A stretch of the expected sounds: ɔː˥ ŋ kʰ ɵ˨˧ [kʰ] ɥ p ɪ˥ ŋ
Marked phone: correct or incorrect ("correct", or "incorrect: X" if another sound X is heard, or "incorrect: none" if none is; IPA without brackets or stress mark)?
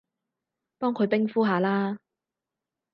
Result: incorrect: none